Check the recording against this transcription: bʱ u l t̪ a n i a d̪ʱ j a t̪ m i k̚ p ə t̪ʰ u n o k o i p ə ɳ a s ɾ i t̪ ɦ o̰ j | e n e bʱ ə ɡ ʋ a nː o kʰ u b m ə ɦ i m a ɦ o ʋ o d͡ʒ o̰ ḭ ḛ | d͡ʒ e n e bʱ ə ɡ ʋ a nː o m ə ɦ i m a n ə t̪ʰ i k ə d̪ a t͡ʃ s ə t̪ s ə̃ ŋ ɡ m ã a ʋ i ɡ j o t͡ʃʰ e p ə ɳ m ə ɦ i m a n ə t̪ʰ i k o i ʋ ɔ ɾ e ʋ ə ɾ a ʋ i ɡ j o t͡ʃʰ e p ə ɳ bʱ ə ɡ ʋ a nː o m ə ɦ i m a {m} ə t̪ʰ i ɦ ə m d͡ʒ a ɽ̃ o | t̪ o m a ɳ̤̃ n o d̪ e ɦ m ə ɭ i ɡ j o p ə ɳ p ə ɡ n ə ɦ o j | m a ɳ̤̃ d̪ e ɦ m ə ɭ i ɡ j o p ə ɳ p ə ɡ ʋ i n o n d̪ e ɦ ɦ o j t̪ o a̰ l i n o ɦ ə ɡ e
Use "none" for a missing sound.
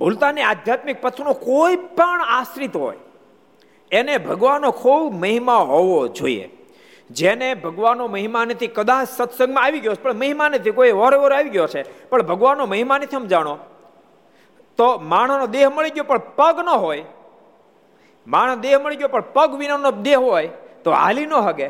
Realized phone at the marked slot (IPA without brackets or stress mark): n